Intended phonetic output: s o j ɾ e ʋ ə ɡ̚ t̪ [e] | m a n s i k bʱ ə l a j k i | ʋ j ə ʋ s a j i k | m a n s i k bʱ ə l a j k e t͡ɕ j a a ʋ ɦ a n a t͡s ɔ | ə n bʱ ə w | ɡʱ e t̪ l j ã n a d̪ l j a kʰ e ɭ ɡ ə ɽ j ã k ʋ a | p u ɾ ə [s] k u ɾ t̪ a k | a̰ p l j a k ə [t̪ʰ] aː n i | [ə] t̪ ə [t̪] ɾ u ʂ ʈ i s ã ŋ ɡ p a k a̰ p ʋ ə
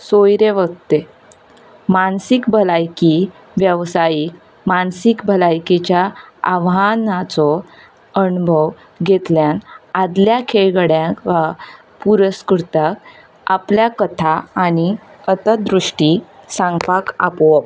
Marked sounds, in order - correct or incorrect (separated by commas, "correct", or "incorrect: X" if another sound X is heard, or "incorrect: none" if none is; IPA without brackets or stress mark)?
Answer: correct, correct, correct, correct, incorrect: d̪